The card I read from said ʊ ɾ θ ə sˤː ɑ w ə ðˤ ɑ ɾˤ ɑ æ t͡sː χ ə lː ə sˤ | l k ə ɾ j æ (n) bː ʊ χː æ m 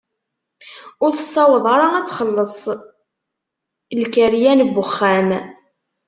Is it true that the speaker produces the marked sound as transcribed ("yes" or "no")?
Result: yes